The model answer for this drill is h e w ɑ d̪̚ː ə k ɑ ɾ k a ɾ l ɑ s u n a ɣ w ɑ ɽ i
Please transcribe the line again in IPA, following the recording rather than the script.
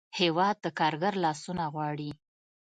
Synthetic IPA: h e w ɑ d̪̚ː ə k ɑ ɾ ɡ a ɾ l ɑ s u n a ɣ w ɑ ɽ i